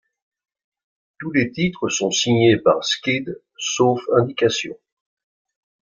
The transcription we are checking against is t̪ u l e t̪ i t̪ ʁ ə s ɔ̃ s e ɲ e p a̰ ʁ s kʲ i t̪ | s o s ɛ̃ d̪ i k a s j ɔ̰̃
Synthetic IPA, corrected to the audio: t̪ u l e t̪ i t̪ χ ə s ɔ̃ s i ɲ e p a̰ ʁ s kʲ i d̪ | s o f ɛ̃ d̪ i k a s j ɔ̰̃